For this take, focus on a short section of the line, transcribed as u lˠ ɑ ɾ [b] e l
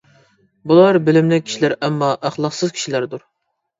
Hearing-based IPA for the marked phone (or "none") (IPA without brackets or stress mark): b